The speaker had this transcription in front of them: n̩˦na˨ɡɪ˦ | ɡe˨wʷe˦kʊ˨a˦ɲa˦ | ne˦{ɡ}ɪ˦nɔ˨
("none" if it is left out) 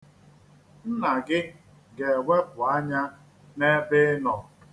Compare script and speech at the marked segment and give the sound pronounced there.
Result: b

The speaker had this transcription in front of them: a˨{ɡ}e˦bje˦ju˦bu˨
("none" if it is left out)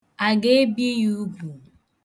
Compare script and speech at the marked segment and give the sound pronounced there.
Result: ɡ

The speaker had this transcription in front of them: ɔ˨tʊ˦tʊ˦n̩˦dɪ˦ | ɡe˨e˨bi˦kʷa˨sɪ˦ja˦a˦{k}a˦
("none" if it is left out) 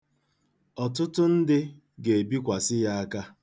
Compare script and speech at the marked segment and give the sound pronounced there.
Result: k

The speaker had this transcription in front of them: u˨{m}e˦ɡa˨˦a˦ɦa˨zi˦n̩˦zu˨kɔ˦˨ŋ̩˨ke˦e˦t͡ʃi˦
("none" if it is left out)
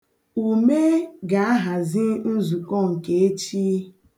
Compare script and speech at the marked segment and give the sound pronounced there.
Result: m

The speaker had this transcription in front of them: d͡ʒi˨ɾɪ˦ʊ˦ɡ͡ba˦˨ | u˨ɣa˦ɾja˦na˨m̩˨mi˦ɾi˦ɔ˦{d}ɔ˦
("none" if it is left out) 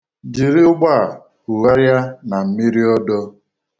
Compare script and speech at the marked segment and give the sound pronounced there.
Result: d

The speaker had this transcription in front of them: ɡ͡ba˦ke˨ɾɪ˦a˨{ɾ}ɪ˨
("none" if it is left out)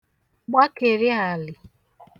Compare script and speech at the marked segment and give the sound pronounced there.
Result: l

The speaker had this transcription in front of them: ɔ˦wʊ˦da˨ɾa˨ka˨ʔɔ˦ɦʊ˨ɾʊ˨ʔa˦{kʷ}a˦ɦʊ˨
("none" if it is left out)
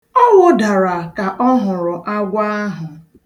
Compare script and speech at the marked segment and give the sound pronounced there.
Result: ɡʷ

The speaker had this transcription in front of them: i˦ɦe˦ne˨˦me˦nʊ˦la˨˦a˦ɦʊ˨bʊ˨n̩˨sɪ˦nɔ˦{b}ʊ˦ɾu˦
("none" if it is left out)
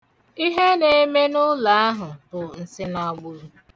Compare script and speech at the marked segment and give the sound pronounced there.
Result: ɡ͡b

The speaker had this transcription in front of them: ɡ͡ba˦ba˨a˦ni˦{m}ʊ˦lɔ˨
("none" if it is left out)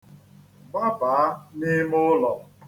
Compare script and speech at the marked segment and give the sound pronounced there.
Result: m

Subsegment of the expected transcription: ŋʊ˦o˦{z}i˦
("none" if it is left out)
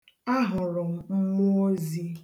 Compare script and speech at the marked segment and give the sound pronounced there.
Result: z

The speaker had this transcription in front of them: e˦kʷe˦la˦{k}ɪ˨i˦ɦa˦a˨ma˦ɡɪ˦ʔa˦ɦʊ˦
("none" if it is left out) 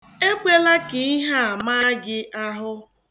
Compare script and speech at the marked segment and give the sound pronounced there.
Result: k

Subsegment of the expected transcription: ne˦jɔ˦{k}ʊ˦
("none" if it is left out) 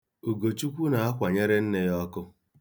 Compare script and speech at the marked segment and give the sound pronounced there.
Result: k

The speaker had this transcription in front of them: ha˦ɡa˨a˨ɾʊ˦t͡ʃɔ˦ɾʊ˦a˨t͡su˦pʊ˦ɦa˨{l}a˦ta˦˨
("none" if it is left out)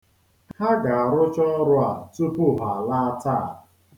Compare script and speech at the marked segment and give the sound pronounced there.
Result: l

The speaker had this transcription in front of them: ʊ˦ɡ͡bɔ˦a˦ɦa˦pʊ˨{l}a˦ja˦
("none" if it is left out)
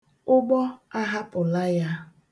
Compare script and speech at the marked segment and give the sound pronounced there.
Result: l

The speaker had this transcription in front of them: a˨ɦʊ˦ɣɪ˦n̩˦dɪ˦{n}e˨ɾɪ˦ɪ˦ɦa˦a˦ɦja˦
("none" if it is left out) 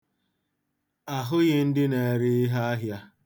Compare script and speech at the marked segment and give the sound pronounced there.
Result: n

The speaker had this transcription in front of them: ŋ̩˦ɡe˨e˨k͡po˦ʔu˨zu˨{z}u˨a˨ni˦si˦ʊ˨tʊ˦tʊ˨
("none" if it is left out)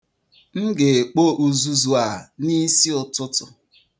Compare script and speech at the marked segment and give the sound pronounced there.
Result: z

